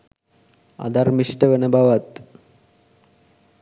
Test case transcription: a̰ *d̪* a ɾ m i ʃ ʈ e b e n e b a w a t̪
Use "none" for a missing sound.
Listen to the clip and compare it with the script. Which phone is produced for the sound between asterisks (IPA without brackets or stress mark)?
d̪